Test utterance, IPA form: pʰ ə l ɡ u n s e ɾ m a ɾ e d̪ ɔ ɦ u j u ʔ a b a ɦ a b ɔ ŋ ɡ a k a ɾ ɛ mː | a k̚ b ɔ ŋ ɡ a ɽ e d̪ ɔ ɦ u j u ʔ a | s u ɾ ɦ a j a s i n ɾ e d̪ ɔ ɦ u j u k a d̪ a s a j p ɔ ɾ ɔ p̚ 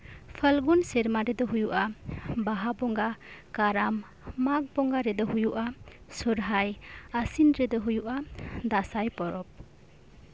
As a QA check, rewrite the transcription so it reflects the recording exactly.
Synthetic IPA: pʰ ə l ɡ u n s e ɾ m a ɾ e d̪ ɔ ɦ u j u ʔ a b a ɦ a b ɔ ŋ ɡ a k a ɾ a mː | a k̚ b ɔ ŋ ɡ a ɾ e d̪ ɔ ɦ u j u ʔ a | s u ɾ ɦ a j a s i n ɾ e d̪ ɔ ɦ u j u ʔ a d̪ a s a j p ɔ ɾ ɔ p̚